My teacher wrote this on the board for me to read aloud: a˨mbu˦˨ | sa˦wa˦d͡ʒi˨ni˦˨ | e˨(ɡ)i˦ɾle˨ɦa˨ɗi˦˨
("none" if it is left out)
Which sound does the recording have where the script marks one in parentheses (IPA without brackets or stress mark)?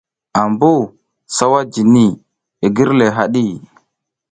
ɡ